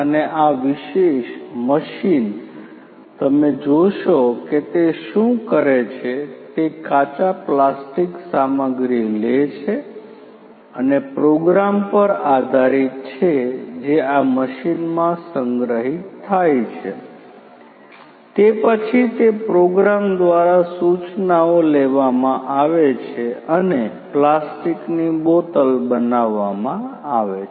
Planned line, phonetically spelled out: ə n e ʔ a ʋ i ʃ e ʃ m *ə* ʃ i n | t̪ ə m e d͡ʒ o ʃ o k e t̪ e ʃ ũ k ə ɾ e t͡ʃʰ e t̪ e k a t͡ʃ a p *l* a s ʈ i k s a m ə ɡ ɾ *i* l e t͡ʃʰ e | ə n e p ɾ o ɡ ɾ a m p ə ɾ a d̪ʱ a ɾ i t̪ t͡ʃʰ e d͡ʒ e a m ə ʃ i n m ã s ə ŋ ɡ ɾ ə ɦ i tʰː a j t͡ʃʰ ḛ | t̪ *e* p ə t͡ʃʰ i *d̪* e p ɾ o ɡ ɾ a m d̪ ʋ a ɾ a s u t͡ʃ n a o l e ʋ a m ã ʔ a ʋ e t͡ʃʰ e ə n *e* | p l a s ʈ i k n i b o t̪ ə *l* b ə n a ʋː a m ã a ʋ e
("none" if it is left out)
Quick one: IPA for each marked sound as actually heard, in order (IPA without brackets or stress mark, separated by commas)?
ə, l, i, e, t̪, e, l